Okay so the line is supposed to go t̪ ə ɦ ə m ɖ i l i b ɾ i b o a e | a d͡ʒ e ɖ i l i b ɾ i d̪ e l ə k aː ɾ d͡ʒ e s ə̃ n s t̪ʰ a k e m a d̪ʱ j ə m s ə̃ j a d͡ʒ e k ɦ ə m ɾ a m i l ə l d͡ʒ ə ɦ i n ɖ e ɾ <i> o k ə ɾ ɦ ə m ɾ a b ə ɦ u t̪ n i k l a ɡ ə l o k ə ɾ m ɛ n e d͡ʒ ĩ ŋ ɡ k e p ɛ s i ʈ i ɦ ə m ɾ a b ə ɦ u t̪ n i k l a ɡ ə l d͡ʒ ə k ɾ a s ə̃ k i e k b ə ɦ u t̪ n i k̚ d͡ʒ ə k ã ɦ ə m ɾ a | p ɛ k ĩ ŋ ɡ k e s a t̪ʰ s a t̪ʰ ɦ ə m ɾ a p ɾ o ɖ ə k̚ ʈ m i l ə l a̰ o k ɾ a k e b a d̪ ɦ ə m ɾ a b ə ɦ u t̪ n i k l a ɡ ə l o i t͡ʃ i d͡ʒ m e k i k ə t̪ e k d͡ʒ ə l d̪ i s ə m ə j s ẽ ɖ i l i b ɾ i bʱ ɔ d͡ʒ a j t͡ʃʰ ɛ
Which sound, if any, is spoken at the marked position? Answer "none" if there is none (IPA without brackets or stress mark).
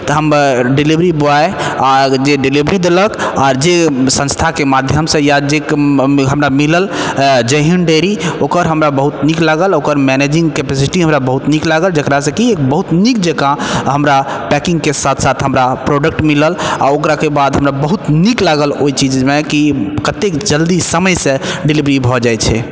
i